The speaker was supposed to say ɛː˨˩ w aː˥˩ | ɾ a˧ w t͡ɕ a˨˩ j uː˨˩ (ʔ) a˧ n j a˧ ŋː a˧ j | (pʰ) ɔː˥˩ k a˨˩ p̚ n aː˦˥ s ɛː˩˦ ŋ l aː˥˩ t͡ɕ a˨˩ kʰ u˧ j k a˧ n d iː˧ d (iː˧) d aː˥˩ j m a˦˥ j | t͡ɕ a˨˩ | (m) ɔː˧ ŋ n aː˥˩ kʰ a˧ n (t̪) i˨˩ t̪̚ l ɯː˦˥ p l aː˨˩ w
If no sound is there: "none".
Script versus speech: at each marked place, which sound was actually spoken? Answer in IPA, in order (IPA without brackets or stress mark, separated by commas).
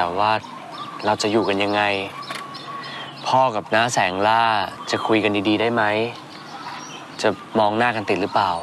k, pʰ, iː˧, m, t̪